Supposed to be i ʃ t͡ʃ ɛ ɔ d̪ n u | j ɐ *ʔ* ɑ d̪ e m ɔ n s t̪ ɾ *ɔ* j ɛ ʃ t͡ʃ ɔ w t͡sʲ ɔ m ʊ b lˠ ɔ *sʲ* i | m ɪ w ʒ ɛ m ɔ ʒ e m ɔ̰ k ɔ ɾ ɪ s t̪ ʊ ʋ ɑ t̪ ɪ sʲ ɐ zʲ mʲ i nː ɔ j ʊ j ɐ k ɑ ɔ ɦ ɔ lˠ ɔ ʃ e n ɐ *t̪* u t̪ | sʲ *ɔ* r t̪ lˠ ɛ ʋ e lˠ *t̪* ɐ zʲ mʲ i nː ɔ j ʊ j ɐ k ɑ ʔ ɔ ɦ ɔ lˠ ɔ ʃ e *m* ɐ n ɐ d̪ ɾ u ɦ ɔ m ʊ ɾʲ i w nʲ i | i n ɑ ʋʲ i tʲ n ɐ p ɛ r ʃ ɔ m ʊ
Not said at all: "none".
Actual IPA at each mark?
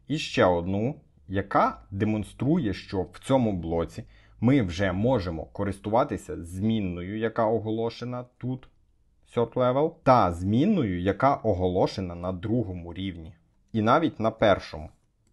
k, u, t͡sʲ, t̪, ɔ, t̪, n

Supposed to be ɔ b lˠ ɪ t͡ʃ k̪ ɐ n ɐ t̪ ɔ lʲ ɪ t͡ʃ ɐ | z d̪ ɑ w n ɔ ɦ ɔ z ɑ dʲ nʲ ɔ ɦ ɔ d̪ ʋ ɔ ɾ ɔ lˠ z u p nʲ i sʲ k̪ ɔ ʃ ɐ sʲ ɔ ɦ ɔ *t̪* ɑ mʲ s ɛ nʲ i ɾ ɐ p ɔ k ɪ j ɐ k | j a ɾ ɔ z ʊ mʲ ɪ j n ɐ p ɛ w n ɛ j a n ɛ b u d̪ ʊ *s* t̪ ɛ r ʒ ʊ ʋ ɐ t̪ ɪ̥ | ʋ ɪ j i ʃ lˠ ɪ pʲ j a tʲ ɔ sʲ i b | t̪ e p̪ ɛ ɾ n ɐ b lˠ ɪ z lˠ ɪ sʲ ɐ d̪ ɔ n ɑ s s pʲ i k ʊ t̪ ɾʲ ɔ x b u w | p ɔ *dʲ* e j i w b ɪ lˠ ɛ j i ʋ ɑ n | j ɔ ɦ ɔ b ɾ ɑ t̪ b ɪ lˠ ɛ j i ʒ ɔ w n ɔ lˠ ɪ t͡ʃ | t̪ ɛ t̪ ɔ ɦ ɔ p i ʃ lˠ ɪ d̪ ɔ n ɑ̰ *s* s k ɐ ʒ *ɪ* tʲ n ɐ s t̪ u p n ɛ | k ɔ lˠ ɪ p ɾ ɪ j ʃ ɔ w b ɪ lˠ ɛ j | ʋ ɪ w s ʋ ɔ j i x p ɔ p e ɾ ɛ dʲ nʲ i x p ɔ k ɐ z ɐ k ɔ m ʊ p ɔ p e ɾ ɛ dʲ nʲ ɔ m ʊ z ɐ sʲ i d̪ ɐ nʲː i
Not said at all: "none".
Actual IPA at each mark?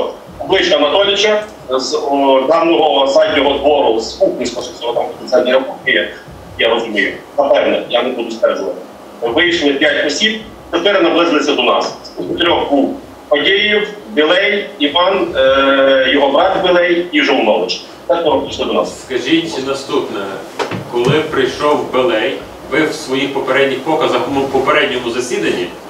t̪, s, dʲ, s, i

